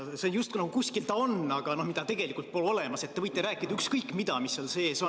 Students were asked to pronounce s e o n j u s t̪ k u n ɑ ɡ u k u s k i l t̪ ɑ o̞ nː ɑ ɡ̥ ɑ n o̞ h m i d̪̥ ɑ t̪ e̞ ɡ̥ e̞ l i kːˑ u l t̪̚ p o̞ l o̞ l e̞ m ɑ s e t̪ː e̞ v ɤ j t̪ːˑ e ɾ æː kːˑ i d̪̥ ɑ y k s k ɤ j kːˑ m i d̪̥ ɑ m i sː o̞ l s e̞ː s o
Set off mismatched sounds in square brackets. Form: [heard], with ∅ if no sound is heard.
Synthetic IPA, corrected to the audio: s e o n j u s t̪ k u n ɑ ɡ u k u s k i l t̪ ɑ o̞ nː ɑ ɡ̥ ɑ n o̞ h m i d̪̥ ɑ t̪ e̞ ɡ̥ e̞ l i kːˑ u l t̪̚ p o̞ l o̞ l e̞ m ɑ s e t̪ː e̞ v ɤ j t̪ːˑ e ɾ æː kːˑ i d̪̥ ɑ y k s k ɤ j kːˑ m i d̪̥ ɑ m i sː o̞ l s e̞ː s o